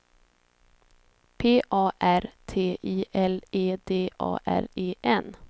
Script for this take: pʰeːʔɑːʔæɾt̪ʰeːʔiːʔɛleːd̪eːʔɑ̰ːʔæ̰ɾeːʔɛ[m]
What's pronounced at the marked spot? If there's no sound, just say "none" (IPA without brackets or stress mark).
n